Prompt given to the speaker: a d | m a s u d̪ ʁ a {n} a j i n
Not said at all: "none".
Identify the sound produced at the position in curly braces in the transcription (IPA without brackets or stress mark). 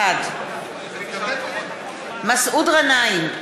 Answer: n